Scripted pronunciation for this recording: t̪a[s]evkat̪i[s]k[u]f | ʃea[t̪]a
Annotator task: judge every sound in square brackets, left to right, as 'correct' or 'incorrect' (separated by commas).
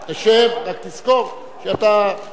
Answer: incorrect, correct, incorrect, correct